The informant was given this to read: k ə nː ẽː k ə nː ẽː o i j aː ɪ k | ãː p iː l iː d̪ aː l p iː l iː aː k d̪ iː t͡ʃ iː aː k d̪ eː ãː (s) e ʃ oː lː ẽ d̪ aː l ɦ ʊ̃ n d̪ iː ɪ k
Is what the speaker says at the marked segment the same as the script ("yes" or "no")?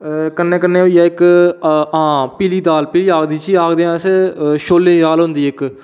yes